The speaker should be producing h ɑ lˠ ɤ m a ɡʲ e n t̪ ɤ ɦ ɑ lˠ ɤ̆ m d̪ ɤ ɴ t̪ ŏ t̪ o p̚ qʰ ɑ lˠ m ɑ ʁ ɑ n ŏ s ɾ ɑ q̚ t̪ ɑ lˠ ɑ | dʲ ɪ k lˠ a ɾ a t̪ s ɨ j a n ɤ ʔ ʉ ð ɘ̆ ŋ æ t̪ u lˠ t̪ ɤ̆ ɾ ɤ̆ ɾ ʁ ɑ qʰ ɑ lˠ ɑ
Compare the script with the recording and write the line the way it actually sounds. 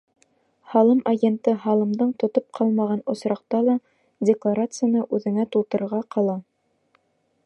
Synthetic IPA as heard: h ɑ lˠ ɤ m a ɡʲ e n t̪ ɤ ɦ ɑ lˠ ɤ̆ m d̪ ɤ ɴ t̪ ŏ t̪ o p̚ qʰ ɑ lˠ m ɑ ʁ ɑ n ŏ s ɾ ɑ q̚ t̪ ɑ lˠ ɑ | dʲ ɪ k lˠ a ɾ a t̪ s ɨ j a n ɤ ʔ ʉ ð ɘ̆ ŋ æ t̪ u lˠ t̪ ɤ̆ ɾ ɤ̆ ɾ ʁ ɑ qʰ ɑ lˠ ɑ